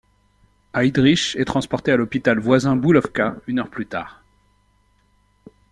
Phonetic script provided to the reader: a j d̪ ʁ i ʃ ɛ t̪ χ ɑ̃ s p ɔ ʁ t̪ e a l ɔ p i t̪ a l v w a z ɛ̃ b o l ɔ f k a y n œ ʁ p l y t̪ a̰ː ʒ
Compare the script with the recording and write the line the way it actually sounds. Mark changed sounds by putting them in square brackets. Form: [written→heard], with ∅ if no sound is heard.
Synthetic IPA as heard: a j d̪ ʁ i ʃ ɛ t̪ χ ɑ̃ s p ɔ ʁ t̪ e a l ɔ p i t̪ a l v w a z ɛ̃ b [o→u] l ɔ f k a y n œ ʁ p l y t̪ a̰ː [ʒ→ʁ]